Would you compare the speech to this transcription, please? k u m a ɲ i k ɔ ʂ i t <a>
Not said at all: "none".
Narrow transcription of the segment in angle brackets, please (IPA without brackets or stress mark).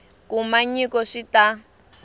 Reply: a